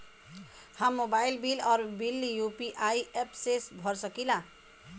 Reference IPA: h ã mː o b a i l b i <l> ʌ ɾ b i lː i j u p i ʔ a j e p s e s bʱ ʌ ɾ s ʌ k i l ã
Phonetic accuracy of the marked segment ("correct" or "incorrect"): correct